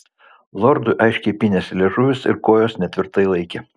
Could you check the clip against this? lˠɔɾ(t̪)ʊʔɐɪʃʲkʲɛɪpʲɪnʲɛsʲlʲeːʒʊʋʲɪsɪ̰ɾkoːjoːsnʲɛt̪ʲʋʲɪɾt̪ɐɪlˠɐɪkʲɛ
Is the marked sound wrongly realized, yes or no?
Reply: yes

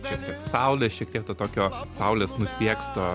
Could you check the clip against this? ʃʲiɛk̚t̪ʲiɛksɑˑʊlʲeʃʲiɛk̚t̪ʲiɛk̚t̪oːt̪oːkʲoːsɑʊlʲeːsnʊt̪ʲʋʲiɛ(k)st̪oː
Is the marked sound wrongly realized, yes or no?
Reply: no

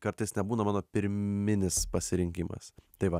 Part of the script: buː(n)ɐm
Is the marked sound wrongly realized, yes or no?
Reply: no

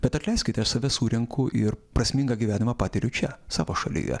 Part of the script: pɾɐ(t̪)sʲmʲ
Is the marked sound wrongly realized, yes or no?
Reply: yes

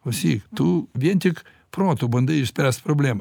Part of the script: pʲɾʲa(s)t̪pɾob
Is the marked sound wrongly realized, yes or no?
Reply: no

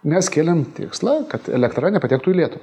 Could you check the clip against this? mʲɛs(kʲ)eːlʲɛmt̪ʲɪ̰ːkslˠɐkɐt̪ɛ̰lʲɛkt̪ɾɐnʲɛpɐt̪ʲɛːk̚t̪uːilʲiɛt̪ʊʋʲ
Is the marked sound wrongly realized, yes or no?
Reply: no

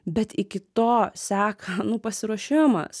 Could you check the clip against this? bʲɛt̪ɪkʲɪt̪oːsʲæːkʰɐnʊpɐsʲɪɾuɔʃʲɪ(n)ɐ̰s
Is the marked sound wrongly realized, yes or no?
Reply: yes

